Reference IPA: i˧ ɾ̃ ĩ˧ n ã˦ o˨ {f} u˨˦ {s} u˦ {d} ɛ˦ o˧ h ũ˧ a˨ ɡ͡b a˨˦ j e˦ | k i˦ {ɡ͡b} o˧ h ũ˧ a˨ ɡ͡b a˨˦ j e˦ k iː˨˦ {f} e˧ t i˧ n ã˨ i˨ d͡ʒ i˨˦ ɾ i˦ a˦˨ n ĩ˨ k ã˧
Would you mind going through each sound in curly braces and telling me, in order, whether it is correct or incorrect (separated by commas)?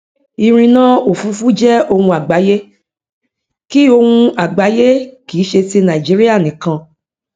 correct, incorrect, incorrect, incorrect, incorrect